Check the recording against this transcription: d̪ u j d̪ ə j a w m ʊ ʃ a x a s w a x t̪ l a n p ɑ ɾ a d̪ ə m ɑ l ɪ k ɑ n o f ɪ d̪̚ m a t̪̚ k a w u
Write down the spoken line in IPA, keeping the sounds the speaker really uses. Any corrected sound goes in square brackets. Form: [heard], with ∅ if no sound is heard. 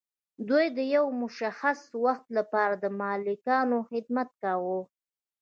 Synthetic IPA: d̪ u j d̪ ə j a w m ʊ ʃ a x a s w a x t̪ l a [∅] p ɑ ɾ a d̪ ə m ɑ l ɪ k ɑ n o [x] ɪ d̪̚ m a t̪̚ k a w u